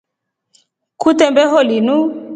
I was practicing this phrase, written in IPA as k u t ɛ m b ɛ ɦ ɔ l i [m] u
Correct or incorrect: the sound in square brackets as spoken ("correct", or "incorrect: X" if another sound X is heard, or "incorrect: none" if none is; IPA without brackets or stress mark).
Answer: incorrect: n